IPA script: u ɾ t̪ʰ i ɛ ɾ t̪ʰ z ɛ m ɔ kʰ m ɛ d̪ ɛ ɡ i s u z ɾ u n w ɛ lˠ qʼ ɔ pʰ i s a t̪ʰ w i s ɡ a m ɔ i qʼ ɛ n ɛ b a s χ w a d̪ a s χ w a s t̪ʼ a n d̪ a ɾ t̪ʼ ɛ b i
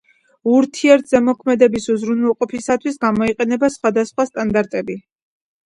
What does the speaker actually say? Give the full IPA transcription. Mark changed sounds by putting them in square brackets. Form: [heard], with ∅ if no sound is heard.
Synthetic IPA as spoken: u ɾ t̪ʰ i ɛ ɾ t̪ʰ z ɛ m ɔ kʰ m ɛ d̪ ɛ [b] i s u z ɾ u n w ɛ lˠ qʼ ɔ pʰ i s a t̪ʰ w i s ɡ a m ɔ i qʼ ɛ n ɛ b a s χ w a d̪ a s χ w a s t̪ʼ a n d̪ a ɾ t̪ʼ ɛ b i